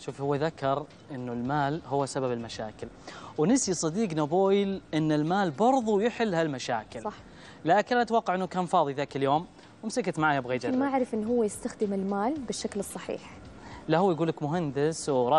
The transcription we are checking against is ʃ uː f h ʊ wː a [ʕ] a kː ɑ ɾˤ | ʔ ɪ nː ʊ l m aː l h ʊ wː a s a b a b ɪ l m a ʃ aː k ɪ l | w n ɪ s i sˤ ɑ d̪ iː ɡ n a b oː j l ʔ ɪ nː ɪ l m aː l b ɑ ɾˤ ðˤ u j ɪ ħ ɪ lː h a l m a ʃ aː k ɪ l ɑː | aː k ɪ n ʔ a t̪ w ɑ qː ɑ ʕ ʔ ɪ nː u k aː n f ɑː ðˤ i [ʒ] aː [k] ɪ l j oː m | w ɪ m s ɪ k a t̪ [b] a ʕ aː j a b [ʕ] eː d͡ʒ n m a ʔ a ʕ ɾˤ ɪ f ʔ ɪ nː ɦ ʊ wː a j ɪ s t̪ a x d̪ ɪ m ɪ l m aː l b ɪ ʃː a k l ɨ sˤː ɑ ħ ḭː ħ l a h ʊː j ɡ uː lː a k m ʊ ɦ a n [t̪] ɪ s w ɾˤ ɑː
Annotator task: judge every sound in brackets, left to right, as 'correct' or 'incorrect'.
incorrect: ð, incorrect: ð, correct, incorrect: m, incorrect: ɣ, incorrect: d̪

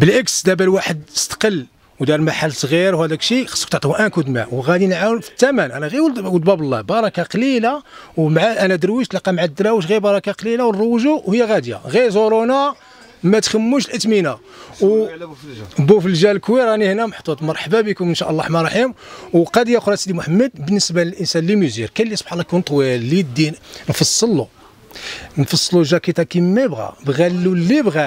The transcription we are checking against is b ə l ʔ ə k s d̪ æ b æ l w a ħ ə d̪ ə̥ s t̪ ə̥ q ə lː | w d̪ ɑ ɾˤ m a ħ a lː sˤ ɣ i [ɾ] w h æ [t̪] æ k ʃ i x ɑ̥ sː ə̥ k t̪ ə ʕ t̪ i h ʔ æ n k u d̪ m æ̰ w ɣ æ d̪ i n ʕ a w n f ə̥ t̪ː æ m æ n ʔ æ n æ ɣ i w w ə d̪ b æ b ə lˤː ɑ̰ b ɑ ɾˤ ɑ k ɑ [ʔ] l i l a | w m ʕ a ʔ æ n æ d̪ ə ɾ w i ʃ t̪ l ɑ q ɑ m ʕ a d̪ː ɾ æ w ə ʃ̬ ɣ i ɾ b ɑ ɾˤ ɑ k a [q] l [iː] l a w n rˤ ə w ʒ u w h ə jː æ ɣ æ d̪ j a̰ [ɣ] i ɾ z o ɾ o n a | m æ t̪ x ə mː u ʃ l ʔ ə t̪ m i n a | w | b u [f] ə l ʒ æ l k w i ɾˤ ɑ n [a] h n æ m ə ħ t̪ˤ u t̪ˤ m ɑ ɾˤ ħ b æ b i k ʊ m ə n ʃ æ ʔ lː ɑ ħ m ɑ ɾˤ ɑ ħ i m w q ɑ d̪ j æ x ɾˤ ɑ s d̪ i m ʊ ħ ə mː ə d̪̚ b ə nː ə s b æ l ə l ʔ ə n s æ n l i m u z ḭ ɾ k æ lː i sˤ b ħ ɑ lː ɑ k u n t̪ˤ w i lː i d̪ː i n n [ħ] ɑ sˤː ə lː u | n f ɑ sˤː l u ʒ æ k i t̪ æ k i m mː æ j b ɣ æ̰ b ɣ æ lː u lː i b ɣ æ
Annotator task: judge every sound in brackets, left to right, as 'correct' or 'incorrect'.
correct, incorrect: d̪, incorrect: q, correct, incorrect: i, correct, correct, incorrect: i, incorrect: f

